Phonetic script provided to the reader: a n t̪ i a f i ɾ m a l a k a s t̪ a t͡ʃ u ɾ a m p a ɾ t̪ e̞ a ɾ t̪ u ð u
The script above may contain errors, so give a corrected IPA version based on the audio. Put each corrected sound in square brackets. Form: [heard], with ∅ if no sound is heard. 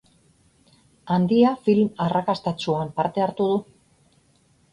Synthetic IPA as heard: a n [d̪] i a f i [l] m a [r] a k a s t̪ a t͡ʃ u [∅] a m p a ɾ t̪ e̞ a ɾ t̪ u ð u